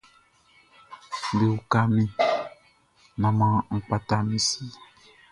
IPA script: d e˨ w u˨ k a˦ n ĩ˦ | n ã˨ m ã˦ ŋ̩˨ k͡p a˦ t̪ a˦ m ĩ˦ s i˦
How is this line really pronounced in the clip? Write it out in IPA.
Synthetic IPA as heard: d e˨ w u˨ k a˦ m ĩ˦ | n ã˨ m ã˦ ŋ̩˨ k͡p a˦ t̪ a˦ m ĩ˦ s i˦